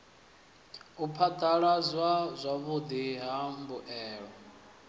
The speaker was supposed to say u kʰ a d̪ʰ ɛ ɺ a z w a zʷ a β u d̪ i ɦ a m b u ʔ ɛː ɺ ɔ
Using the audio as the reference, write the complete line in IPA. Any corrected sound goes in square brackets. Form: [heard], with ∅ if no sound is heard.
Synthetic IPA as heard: u [pʰ] a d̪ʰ [a] ɺ a z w a zʷ a β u d̪ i ɦ a m b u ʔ ɛː ɺ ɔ